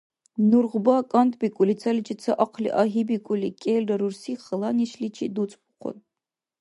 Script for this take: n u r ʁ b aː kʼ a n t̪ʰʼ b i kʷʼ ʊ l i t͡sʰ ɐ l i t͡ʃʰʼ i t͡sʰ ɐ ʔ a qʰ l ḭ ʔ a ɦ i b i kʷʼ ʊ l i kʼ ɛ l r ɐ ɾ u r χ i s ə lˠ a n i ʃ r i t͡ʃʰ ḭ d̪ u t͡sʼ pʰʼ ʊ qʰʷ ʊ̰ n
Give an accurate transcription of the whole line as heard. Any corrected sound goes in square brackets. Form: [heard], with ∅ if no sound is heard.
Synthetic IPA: n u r ʁ b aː kʼ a n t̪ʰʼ b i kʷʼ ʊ l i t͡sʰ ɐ l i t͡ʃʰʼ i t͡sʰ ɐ ʔ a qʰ l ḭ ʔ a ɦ i b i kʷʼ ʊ l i kʼ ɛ l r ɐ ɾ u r [s] i [χ] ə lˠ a n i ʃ [l] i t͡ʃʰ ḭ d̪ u t͡sʼ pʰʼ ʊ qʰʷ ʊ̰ n